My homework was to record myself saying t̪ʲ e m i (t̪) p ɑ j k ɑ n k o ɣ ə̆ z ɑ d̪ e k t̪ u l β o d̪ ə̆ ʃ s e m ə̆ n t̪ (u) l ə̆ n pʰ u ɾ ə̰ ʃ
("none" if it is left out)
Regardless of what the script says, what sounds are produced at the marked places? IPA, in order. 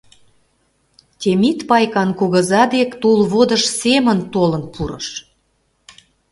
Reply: t̪, o

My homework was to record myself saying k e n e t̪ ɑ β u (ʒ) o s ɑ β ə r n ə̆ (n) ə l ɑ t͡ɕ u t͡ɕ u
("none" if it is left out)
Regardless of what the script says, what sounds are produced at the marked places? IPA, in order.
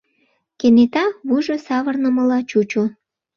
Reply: ʒ, m

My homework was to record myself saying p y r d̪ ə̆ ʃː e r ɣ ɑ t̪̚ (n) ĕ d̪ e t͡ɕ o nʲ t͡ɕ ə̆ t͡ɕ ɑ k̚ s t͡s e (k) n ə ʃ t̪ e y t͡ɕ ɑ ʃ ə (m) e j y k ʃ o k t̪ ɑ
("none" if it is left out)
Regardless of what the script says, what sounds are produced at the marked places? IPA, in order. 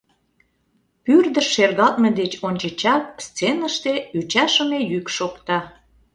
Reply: m, none, m

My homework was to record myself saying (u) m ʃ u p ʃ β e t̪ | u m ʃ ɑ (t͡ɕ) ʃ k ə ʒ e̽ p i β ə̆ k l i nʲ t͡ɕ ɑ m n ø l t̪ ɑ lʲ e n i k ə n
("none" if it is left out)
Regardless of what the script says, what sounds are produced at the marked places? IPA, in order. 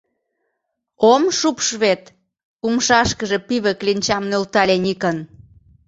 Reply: o, none

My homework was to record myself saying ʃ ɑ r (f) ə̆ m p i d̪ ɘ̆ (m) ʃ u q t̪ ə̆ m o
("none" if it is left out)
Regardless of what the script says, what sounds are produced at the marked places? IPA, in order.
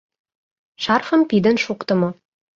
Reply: f, n

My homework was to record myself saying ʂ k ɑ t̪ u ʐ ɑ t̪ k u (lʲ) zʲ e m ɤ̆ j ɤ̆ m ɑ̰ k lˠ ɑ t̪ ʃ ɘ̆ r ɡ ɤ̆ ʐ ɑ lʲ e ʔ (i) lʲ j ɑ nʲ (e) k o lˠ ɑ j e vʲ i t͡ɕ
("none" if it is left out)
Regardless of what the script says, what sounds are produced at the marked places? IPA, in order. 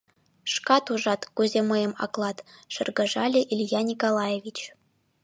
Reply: none, i, i

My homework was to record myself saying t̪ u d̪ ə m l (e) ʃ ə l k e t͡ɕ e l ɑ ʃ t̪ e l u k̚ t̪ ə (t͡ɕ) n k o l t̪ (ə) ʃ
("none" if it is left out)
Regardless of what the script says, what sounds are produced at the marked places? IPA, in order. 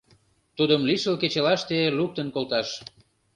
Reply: i, none, ɑ

